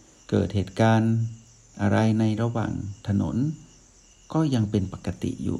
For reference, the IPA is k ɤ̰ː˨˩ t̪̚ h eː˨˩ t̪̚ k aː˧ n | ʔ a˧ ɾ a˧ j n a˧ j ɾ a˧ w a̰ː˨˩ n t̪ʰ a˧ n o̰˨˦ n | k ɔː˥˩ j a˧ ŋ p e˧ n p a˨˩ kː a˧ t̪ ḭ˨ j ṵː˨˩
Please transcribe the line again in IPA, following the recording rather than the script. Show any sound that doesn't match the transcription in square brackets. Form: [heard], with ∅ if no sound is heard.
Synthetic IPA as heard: k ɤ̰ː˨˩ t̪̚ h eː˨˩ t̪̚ k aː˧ n | ʔ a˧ ɾ a˧ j n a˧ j ɾ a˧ w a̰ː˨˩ [ŋ] t̪ʰ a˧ n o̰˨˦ n | k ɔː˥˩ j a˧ ŋ p e˧ n p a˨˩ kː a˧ t̪ ḭ˨ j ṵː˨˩